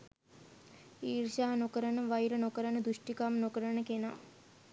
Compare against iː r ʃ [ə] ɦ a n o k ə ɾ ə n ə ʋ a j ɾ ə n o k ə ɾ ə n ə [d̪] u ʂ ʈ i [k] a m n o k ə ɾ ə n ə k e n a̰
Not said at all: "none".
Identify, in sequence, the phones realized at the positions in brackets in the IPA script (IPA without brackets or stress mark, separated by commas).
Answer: a, d̪, k